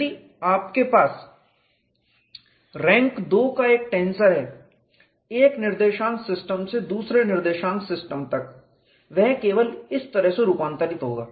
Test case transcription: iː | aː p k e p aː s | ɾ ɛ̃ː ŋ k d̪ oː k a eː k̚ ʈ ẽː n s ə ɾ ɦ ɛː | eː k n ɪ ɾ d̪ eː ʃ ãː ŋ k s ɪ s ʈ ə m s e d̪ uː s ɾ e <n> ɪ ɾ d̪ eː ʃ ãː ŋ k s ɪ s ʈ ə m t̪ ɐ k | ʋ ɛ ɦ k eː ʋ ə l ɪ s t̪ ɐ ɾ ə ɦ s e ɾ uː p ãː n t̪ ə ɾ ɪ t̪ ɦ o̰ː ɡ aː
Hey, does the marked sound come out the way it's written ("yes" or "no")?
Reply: yes